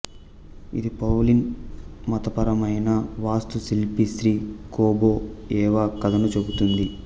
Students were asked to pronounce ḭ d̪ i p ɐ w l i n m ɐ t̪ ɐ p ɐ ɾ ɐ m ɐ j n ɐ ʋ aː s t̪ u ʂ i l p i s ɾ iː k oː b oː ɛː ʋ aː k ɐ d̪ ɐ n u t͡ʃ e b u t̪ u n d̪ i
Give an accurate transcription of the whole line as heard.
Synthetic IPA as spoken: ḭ d̪ i p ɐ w l i n m ɐ t̪ ɐ p ɐ ɾ ɐ m ɐ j n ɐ ʋ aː s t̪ u s i l p i s ɾ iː k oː b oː ɛː ʋ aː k ɐ d̪ ɐ n u t͡ʃ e b u t̪ u n d̪ i